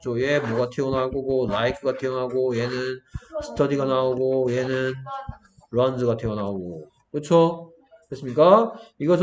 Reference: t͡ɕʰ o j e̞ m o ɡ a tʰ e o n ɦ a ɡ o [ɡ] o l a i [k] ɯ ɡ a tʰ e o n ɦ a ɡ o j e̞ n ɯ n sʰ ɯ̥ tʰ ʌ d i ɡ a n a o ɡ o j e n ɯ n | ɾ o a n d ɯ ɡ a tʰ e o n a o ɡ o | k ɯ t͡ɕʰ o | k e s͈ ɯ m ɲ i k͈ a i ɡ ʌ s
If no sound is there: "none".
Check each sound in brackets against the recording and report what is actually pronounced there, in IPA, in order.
ɡ, kʰ

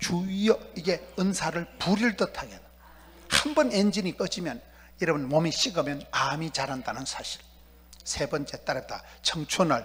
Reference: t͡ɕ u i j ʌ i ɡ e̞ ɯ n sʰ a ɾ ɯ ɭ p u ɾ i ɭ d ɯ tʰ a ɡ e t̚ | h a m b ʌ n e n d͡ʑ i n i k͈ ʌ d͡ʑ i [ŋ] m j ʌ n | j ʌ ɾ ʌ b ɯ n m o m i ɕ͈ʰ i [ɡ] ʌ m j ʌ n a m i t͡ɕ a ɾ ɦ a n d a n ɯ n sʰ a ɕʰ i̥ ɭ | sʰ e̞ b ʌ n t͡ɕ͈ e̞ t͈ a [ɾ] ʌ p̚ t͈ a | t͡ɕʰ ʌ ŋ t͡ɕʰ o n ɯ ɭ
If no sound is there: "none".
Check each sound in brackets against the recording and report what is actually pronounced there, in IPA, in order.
none, ɡ, ɾ

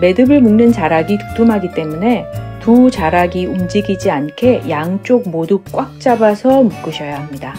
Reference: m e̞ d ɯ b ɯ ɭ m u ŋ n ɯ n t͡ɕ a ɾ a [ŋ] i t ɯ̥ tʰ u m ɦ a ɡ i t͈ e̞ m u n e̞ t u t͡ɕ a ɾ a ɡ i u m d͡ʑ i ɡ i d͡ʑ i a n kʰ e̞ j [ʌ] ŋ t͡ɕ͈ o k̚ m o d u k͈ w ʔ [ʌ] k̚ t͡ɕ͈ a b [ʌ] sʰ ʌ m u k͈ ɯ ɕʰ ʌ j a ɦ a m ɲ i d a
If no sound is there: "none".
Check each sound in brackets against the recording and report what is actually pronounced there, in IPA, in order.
ɡ, a, a, a

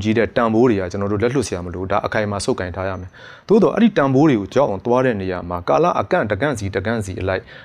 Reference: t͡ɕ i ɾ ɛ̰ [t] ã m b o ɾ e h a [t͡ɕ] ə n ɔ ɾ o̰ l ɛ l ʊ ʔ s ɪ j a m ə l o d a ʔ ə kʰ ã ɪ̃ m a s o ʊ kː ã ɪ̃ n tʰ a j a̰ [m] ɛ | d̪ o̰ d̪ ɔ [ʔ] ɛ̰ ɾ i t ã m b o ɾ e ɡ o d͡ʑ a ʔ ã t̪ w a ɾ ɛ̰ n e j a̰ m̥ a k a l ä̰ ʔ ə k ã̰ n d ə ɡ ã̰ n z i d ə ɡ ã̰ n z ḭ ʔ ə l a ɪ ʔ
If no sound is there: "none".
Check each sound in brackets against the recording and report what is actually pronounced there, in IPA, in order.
t, t͡ɕ, m, ʔ

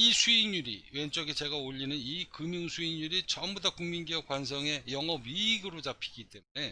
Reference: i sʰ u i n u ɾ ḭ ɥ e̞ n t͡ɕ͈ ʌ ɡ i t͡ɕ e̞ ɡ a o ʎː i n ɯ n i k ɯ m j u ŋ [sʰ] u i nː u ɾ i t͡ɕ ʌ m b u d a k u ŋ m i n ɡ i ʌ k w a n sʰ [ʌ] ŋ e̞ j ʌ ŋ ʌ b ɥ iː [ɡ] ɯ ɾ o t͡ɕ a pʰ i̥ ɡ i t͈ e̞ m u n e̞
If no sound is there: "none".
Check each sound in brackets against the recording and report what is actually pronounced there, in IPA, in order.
sʰ, ʌ, ɡ

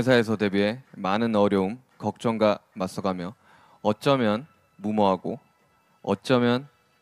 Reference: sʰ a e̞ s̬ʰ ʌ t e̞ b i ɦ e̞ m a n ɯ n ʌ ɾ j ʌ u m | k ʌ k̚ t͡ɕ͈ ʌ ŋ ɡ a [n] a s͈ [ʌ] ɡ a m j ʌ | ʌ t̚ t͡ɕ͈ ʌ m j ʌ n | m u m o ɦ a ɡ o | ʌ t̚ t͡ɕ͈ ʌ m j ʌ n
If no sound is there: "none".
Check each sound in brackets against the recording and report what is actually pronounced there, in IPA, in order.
m, ʌ

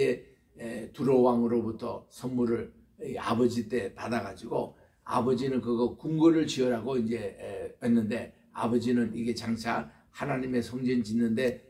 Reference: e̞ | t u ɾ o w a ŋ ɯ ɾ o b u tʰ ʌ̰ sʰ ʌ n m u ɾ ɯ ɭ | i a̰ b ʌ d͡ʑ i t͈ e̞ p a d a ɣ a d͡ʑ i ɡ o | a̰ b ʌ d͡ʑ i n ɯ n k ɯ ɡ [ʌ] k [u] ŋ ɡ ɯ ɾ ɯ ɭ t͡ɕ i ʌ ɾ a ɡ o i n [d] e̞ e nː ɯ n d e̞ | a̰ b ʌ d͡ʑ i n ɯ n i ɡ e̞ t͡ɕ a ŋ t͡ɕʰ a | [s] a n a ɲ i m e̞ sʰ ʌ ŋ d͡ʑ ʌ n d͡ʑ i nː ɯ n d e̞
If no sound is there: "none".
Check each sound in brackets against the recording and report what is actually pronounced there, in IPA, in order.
ʌ, u, d͡ʑ, h

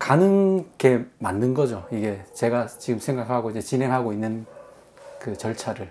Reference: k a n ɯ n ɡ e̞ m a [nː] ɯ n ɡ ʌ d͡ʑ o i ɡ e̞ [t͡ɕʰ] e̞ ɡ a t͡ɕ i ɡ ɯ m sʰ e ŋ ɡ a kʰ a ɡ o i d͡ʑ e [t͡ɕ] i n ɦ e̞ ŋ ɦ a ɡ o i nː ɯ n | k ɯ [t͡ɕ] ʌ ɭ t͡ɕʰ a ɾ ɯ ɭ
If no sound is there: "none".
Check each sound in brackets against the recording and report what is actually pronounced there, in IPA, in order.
nː, t͡ɕ, t͡ɕ, t͡ɕ

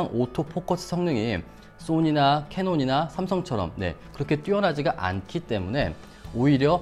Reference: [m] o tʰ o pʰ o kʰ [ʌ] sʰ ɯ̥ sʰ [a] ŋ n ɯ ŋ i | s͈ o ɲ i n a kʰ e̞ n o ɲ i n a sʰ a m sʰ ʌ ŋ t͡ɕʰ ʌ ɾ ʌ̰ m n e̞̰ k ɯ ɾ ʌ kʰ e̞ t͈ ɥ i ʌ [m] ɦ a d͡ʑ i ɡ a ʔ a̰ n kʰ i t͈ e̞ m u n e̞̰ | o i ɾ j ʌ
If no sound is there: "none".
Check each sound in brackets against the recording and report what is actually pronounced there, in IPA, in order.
ŋ, ʌ, ʌ, n

